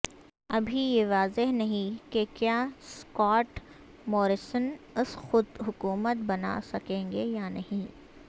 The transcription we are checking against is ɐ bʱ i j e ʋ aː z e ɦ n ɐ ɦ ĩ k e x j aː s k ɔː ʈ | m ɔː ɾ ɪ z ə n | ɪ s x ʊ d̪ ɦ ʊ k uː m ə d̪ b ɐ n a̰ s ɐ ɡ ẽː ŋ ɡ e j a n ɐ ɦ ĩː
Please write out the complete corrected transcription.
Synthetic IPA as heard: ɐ bʱ i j e ʋ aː z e ɦ n ɐ ɦ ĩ k e k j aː s k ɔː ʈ | m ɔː ɾ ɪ s ə n | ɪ s x ʊ d̪ ɦ ʊ k uː m ə t̪ b ɐ n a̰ s ɐ k ẽː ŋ ɡ e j a n ɐ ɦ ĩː